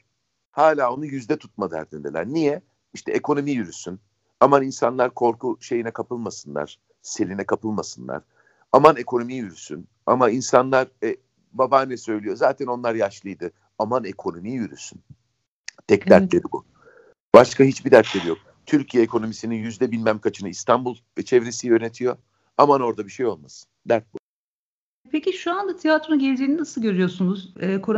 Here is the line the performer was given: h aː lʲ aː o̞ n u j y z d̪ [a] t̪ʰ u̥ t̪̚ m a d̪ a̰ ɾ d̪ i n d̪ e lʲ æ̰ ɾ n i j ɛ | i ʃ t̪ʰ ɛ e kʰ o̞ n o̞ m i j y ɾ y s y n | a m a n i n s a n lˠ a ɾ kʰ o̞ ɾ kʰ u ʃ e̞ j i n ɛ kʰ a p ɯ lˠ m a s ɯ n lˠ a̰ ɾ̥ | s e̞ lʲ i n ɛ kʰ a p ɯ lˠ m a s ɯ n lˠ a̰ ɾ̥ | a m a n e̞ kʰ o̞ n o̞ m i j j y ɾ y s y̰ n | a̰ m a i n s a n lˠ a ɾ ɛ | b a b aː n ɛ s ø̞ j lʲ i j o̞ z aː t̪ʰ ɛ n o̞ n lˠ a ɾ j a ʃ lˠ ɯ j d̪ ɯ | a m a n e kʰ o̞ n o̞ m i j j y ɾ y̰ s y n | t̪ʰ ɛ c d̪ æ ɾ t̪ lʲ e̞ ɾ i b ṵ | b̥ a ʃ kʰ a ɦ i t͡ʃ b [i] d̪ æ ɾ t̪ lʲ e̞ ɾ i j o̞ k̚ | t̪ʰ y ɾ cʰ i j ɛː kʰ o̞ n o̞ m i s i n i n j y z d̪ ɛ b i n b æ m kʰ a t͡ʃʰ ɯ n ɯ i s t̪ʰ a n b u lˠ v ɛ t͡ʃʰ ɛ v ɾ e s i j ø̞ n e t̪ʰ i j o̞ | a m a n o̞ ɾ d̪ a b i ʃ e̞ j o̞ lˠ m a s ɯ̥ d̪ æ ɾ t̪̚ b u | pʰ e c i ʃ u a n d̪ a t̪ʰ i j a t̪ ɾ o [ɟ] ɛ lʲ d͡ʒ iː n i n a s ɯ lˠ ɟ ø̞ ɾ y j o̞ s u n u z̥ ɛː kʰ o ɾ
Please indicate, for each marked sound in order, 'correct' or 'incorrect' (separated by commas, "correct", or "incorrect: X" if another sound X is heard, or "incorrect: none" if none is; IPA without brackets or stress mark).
incorrect: ɛ, correct, correct